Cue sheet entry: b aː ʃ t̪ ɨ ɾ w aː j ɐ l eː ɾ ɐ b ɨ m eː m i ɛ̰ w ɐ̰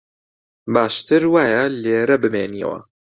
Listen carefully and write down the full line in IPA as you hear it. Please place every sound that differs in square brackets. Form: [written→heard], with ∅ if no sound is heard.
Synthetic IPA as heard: b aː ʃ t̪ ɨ ɾ w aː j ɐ l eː ɾ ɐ b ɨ m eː [m→n] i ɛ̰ w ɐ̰